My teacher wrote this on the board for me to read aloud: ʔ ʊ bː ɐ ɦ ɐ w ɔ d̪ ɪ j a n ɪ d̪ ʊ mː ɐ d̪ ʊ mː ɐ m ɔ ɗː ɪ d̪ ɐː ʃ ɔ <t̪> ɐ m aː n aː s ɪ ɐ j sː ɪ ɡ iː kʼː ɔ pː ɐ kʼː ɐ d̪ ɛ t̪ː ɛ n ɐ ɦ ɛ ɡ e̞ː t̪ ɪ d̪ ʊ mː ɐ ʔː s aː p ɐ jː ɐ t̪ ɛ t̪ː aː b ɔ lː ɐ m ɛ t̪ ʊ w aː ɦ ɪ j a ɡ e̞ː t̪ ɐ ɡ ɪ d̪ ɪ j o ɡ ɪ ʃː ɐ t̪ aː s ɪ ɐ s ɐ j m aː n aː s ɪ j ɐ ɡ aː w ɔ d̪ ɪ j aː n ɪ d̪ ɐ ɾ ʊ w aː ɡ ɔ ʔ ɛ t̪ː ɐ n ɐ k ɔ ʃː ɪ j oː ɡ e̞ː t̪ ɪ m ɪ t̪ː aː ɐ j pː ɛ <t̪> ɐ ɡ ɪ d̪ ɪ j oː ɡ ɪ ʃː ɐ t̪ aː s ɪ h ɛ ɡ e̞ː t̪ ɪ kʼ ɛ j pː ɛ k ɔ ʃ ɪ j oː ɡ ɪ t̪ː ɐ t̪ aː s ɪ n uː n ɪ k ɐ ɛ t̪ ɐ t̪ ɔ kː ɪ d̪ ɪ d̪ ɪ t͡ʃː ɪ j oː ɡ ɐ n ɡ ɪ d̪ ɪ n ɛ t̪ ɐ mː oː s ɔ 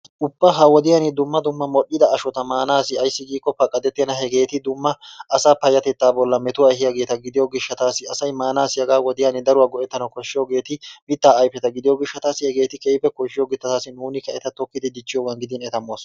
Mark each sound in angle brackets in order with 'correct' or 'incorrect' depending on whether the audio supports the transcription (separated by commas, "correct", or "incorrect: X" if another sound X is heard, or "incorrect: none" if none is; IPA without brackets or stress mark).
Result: correct, correct